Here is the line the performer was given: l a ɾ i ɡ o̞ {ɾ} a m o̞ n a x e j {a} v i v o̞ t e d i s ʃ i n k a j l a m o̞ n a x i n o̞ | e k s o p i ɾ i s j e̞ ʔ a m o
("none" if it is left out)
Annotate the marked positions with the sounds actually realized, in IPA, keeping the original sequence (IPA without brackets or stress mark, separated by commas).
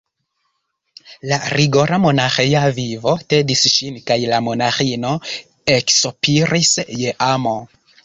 ɾ, a